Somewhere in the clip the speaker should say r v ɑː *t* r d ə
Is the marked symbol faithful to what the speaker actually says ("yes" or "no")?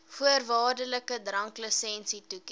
no